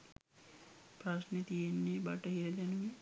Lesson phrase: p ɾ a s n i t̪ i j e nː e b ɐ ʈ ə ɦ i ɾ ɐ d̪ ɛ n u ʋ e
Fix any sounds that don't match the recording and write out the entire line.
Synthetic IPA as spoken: p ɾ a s n e t̪ i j e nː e b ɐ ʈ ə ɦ i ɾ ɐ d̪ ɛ n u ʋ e